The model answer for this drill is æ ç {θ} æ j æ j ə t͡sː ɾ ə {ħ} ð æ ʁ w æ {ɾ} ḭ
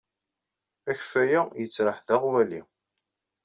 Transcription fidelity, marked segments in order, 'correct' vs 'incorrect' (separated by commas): incorrect, correct, incorrect